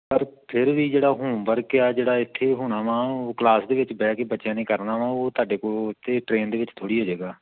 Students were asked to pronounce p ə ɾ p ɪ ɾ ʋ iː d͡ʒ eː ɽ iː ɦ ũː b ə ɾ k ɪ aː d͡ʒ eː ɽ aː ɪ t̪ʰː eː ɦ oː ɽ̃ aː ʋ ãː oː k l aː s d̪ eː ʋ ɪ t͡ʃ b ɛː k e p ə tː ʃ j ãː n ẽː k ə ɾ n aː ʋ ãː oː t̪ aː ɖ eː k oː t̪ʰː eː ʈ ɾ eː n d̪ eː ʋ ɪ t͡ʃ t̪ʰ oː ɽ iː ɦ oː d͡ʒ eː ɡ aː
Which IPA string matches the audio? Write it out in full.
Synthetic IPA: p ə ɾ pʰ ɪ ɾ ʋ iː d͡ʒ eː ɽ aː ɦ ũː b ə ɾ k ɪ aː d͡ʒ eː ɽ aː ɪ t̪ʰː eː ɦ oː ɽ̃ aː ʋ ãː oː k l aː s d̪ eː ʋ ɪ t͡ʃ b ɛː k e b ə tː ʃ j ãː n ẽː k ə ɾ n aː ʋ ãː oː t̪ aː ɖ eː k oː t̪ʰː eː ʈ ɾ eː n d̪ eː ʋ ɪ t͡ʃ t̪ʰ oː ɽ iː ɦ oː d͡ʒ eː ɡ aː